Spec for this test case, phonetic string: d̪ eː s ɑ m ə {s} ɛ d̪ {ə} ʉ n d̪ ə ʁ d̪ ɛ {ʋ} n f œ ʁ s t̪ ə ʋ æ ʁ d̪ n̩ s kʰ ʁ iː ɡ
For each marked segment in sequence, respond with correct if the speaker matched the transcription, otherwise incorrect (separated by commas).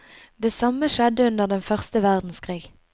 incorrect, correct, incorrect